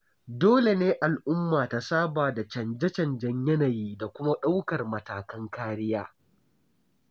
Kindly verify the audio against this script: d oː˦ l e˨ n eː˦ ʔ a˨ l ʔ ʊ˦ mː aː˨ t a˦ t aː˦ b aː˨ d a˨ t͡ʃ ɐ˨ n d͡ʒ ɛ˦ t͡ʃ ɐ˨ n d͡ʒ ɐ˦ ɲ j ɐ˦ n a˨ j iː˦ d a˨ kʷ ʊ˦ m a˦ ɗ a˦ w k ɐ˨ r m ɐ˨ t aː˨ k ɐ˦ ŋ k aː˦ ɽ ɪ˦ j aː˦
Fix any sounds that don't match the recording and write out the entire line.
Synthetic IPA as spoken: d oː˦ l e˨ n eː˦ ʔ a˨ l ʔ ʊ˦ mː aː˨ t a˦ s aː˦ b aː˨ d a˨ t͡ʃ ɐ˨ n d͡ʒ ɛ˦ t͡ʃ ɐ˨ n d͡ʒ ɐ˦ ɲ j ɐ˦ n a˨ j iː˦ d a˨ kʷ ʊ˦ m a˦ ɗ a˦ w k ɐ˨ r m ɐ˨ t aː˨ k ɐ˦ ŋ k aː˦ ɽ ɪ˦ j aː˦